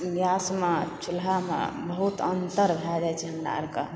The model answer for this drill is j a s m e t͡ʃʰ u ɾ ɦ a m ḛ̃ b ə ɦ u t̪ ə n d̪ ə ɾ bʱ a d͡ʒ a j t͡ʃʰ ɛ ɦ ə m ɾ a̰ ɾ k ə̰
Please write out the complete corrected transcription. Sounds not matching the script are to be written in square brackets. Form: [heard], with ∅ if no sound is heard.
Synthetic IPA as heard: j a s m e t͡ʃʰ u [l] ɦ a m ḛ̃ b ə ɦ u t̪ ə n [t̪] ə ɾ bʱ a d͡ʒ a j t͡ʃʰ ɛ ɦ ə m ɾ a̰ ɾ k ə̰